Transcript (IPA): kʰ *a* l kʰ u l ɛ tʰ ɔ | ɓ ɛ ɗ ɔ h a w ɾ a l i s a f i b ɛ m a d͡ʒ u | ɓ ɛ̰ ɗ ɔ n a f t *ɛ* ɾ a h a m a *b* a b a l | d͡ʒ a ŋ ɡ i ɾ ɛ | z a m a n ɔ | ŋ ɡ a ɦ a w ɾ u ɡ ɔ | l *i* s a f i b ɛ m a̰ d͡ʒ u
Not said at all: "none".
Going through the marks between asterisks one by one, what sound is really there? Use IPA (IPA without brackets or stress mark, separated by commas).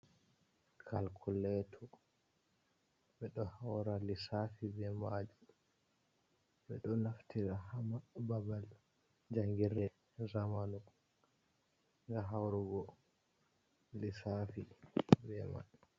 a, i, b, i